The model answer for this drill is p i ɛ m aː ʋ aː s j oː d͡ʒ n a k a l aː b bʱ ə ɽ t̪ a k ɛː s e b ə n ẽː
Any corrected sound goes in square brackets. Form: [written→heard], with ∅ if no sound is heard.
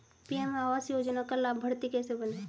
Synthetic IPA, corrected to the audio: p i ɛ m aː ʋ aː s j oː d͡ʒ n a k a l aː b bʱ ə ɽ t̪ [a→i] k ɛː s e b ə n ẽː